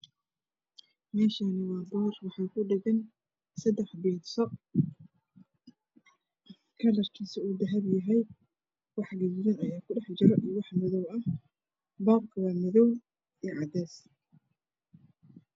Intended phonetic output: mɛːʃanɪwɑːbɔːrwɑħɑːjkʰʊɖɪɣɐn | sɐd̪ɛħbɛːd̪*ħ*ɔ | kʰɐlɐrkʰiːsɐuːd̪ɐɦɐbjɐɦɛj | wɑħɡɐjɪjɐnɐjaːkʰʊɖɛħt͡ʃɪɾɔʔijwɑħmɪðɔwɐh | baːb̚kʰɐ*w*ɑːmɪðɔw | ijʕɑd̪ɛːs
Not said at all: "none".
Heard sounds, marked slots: s, w

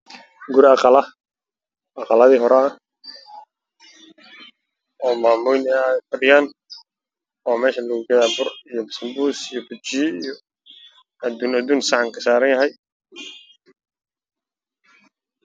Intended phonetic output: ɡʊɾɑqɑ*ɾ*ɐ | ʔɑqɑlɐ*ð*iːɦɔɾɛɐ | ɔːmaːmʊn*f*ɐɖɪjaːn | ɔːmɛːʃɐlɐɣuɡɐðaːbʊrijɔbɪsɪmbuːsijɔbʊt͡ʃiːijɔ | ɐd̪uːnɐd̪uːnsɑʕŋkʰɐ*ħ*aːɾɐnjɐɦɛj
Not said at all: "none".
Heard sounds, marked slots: l, ð, f, s

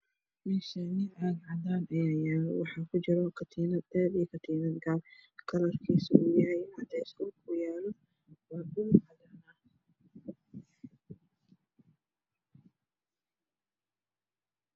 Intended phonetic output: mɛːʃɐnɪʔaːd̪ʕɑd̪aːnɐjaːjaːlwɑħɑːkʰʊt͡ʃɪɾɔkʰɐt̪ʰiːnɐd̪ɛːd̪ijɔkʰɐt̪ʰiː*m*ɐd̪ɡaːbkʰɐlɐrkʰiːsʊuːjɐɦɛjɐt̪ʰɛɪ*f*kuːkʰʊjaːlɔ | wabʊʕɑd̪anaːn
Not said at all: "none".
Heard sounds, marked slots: n, s

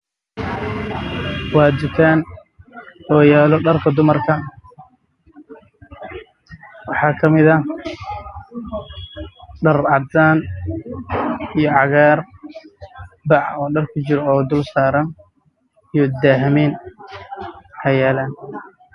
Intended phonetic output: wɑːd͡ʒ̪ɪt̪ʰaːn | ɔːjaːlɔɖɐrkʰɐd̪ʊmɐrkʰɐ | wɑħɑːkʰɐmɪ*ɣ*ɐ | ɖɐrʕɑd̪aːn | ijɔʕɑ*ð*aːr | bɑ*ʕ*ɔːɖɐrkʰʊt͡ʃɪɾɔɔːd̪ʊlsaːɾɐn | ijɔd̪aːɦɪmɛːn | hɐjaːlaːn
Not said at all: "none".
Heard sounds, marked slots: ð, ɣ, ʕ

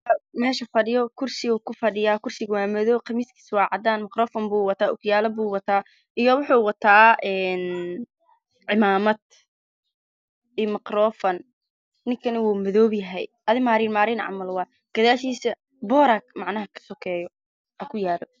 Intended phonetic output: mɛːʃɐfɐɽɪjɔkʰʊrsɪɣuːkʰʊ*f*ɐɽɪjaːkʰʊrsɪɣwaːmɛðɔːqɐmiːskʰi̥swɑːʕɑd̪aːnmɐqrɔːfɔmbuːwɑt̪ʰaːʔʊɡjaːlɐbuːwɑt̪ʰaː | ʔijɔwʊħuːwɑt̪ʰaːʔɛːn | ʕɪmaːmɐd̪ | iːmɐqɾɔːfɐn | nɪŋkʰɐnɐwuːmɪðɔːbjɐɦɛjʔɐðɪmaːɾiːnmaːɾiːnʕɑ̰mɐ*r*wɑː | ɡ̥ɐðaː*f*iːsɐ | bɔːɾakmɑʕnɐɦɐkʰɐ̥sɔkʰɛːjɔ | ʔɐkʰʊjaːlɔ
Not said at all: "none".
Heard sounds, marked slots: f, l, ʃ

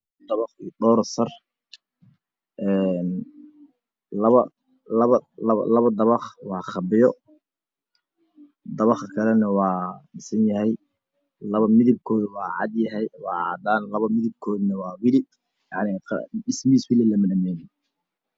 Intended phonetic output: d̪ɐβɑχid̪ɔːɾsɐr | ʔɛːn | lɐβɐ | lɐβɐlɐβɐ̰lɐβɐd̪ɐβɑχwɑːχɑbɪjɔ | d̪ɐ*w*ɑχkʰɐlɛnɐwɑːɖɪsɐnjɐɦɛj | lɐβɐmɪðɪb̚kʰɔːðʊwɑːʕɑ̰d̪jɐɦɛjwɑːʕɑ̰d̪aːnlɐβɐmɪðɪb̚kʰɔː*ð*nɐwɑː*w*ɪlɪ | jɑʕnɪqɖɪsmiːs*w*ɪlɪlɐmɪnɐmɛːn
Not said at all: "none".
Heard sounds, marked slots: β, ð, w, w

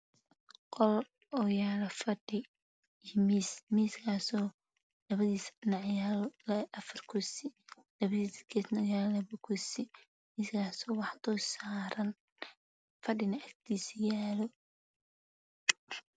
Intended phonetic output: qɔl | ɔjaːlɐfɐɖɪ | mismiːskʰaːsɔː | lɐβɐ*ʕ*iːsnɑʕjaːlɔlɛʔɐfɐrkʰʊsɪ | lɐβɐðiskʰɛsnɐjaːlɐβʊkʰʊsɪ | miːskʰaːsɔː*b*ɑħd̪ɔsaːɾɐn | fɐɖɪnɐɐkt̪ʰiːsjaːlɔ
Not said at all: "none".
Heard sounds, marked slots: ð, w

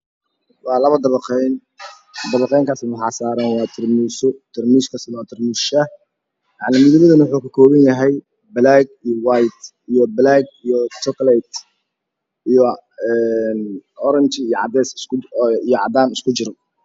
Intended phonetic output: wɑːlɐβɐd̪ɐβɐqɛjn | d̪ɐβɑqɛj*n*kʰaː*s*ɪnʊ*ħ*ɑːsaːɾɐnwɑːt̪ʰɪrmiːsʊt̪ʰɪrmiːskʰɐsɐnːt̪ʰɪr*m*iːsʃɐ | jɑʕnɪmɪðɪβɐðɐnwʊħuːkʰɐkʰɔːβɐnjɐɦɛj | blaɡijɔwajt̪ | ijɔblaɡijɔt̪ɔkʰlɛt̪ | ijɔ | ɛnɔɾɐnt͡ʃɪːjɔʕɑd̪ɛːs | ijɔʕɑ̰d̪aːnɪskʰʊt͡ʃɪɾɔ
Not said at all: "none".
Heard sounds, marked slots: ŋ, s, ħ, m

